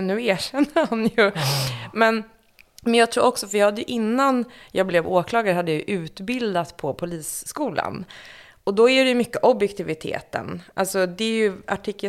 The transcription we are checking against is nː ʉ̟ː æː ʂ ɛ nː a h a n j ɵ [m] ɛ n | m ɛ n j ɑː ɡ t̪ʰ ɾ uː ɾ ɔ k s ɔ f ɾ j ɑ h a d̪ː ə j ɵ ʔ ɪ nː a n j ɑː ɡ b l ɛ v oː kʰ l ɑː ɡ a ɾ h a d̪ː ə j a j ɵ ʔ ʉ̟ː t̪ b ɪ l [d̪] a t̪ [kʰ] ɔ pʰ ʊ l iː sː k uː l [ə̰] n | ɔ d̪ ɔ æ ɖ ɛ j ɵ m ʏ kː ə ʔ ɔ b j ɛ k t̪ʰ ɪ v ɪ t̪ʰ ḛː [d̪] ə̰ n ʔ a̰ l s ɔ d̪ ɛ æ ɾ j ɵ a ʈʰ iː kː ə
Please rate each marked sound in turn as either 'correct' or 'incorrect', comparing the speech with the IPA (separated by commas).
correct, correct, incorrect, incorrect, incorrect